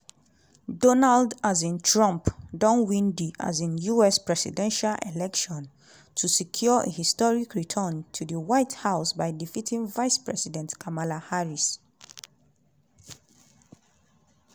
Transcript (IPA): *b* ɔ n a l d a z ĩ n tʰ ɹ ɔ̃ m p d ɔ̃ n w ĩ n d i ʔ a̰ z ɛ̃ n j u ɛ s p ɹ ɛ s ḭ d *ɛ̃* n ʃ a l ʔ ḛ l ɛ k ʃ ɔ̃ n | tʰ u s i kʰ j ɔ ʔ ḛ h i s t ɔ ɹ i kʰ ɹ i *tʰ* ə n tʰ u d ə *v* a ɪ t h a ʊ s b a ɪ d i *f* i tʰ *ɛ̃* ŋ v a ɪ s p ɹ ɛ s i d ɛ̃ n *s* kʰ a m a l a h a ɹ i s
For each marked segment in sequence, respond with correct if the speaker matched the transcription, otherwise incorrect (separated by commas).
incorrect, correct, correct, incorrect, correct, incorrect, incorrect